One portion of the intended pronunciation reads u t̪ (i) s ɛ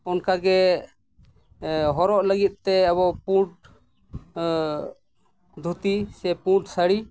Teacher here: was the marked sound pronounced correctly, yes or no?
yes